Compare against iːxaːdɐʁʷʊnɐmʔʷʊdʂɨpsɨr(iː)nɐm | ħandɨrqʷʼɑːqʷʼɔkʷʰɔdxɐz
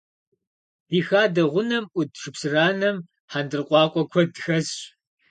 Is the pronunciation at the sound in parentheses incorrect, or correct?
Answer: incorrect